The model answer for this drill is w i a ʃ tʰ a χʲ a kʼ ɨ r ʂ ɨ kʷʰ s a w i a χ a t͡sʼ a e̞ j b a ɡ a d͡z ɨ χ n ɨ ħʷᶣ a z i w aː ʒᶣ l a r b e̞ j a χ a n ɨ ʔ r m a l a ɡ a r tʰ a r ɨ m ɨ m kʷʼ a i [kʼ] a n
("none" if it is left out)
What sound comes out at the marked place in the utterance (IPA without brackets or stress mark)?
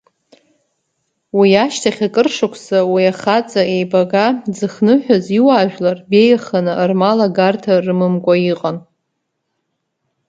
qʼ